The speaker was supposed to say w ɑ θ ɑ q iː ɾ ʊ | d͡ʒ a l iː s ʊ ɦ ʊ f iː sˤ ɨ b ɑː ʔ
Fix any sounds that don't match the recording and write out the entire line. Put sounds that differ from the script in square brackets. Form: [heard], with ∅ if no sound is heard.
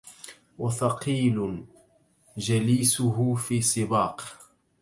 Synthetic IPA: w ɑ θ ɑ q iː [l] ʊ | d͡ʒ a l iː s ʊ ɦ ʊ f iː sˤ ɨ b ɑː [q]